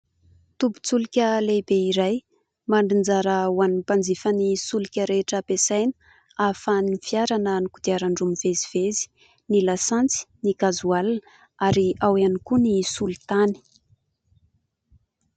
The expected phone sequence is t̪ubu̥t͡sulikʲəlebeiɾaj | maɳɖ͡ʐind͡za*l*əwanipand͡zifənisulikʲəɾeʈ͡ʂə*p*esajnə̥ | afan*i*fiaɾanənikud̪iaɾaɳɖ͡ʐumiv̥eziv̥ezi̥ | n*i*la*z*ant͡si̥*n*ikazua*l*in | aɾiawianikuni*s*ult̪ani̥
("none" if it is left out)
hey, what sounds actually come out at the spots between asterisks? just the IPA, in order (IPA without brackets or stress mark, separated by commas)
ɾ, p, i, i, s, n, l, s